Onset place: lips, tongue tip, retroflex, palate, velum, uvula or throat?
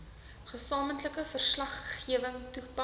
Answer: uvula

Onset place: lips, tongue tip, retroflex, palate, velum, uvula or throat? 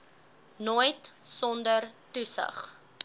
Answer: tongue tip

